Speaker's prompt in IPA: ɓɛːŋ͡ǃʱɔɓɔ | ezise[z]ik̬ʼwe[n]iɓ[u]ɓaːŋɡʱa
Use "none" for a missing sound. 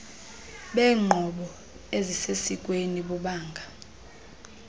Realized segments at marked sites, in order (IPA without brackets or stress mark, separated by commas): s, n, u